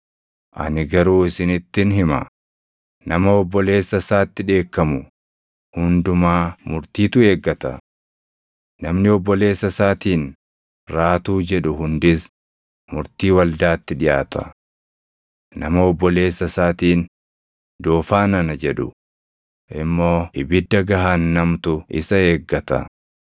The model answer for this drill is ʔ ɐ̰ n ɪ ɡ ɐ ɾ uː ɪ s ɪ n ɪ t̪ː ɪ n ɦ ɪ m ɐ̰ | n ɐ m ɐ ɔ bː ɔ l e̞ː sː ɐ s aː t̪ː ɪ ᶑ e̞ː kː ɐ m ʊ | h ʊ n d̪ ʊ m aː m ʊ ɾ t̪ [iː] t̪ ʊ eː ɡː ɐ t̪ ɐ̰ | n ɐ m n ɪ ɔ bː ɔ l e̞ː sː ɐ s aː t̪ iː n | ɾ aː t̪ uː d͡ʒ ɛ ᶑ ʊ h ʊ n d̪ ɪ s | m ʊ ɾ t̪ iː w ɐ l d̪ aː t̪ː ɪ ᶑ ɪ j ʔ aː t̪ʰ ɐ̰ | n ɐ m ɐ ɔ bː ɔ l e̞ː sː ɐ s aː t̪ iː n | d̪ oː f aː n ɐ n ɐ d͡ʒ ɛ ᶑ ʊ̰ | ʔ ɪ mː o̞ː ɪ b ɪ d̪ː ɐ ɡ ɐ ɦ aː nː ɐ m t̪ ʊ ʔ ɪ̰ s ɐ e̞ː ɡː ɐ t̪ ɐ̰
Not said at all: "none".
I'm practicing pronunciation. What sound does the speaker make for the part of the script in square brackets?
iː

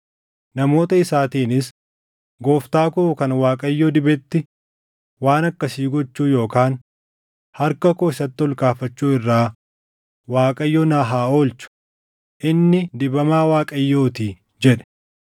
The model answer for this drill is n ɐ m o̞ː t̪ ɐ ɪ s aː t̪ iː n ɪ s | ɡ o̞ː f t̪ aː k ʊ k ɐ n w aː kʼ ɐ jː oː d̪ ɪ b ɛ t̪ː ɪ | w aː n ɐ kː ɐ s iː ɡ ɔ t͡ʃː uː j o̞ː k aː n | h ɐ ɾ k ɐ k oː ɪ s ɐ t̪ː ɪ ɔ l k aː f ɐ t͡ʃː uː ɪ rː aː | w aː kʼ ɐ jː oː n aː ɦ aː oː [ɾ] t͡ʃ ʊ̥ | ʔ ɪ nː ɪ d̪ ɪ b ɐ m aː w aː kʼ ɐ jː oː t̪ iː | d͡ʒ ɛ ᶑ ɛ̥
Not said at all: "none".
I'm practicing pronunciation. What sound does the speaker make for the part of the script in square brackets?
l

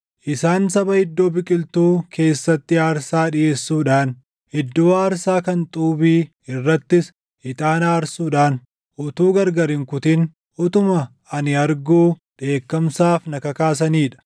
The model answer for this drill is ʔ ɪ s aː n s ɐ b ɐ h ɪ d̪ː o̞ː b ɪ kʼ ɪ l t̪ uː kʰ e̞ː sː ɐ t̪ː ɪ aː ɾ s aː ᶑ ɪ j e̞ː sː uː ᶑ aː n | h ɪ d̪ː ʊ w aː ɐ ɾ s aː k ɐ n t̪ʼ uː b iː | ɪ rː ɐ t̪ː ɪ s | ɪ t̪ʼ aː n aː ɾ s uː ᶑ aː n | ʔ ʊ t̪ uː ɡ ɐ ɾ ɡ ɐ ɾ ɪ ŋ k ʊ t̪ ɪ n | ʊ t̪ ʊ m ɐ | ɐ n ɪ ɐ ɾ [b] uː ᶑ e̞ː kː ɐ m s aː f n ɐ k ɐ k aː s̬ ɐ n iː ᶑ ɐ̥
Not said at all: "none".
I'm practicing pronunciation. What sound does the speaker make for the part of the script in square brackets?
ɡ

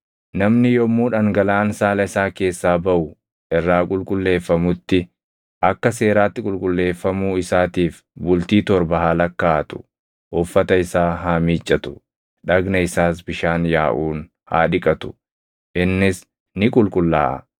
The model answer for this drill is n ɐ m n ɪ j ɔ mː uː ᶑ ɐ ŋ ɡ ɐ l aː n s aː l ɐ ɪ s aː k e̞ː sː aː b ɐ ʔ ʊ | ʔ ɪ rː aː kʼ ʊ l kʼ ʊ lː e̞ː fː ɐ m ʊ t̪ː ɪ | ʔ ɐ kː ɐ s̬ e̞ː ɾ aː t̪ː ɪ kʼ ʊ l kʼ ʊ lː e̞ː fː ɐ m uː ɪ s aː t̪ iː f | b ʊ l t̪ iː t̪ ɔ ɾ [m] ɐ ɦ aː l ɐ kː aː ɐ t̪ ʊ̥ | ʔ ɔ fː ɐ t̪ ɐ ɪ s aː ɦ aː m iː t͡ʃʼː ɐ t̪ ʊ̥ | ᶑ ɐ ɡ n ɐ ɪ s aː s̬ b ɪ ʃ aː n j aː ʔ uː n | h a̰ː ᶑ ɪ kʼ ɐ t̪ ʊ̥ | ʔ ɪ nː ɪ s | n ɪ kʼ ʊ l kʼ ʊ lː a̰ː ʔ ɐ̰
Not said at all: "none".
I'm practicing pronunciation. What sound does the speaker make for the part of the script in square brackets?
b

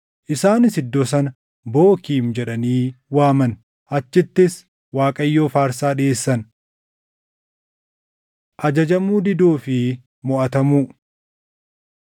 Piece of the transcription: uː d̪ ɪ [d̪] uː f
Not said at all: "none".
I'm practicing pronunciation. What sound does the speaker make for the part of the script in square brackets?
d̪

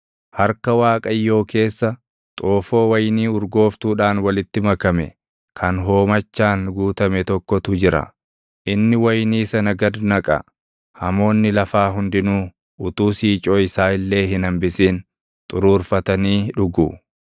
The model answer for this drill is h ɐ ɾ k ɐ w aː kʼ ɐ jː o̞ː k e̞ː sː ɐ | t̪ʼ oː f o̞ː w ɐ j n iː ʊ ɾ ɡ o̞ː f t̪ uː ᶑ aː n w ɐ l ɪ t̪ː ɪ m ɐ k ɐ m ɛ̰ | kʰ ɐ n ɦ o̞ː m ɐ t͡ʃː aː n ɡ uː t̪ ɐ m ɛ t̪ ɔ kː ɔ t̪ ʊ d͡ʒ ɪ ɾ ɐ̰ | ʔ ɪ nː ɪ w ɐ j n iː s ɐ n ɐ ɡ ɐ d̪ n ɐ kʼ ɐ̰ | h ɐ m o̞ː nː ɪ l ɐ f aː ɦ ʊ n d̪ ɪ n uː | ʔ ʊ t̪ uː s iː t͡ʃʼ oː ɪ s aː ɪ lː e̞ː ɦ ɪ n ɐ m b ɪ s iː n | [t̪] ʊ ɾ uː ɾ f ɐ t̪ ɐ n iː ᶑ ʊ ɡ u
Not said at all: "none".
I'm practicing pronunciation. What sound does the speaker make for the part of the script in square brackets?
t̪ʼ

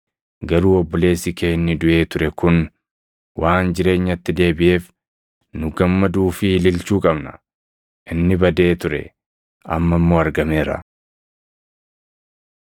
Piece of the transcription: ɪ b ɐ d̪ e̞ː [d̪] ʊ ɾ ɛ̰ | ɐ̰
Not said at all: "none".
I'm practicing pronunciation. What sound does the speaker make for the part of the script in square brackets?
t̪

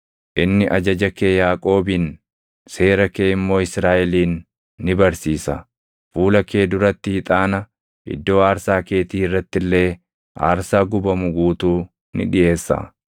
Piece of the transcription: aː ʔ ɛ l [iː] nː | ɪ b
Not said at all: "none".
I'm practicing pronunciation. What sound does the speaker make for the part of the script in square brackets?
iː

